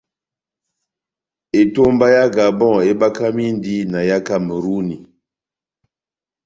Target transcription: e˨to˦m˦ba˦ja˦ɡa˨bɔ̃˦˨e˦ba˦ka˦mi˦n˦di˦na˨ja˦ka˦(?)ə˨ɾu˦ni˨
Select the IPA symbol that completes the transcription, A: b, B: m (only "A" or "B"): B